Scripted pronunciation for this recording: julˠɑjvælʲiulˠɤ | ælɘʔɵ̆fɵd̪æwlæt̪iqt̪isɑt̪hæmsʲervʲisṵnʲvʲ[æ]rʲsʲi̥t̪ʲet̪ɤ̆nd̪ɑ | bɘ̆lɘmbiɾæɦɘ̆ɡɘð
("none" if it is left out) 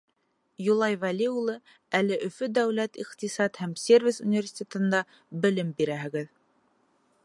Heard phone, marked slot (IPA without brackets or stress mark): e